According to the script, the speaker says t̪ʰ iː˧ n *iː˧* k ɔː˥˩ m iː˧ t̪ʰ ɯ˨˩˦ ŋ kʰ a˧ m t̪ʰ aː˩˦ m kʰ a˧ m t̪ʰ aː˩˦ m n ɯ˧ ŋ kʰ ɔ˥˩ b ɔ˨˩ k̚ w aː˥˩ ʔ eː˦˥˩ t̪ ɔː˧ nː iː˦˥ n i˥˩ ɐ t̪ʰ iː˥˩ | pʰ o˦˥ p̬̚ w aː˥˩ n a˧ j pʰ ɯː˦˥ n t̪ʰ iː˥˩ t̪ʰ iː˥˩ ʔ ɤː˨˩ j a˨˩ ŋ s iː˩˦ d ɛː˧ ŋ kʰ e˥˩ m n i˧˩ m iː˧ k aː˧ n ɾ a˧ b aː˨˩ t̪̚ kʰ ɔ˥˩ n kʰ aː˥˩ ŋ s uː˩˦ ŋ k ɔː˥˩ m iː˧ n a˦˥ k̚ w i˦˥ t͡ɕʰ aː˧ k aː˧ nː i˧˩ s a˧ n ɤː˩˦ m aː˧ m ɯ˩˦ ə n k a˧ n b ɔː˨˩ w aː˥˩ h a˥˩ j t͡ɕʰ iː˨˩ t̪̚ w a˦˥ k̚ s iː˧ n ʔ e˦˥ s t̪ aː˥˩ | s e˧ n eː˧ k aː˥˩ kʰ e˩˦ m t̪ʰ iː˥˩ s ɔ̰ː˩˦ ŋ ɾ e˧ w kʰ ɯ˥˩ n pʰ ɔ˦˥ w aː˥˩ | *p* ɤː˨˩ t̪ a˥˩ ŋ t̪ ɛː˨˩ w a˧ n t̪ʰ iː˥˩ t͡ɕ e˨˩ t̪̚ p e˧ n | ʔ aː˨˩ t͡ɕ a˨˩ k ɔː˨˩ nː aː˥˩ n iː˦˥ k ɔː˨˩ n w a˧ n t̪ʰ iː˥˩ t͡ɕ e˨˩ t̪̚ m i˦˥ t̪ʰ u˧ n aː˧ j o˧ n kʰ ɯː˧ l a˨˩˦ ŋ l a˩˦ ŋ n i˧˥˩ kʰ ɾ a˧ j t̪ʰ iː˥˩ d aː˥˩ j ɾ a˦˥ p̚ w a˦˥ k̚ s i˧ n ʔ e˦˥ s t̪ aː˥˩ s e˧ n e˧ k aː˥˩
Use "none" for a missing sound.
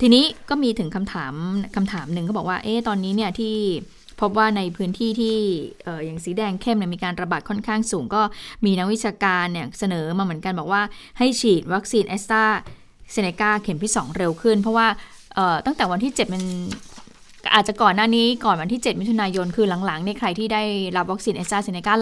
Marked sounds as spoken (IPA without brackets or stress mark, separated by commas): iː˦˥, ʔ